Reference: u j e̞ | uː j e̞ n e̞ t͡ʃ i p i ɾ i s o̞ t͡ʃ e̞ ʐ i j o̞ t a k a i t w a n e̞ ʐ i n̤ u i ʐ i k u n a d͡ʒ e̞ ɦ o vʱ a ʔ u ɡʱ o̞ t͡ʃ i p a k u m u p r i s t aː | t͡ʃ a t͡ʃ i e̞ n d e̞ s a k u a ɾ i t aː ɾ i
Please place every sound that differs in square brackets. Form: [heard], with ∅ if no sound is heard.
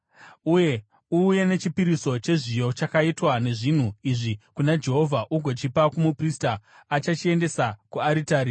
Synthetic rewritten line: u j e̞ | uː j e̞ n e̞ t͡ʃ i p i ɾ i s o̞ t͡ʃ e̞ ʐ i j o̞ [t͡ʃ] a k a i t w a n e̞ ʐ i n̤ u i ʐ i k u n a d͡ʒ e̞ ɦ o vʱ a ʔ u ɡʱ o̞ t͡ʃ i p a k u m u p r i s t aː | t͡ʃ a t͡ʃ i e̞ n d e̞ s a k u a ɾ i t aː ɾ i